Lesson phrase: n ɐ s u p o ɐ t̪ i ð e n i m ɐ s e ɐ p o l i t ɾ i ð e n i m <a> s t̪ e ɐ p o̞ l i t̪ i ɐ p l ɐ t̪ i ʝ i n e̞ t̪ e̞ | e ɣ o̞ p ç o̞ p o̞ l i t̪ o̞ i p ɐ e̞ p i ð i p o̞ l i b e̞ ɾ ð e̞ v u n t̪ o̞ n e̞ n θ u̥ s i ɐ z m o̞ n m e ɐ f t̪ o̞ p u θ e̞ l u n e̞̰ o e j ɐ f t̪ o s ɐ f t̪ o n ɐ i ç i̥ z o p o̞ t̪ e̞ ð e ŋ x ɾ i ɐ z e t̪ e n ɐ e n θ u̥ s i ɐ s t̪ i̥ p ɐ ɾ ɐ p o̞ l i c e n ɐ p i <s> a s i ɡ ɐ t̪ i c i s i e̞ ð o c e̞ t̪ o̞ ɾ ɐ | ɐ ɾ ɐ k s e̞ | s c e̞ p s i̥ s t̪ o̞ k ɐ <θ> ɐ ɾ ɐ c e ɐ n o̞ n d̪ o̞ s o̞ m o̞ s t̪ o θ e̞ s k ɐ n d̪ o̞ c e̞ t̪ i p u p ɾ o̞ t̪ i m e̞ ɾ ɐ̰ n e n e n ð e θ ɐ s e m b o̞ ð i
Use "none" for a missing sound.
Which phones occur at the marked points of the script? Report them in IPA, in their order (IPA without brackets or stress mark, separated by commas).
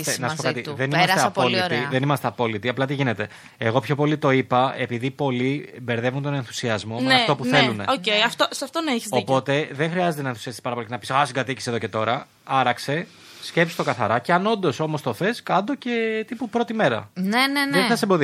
ɐ, s, θ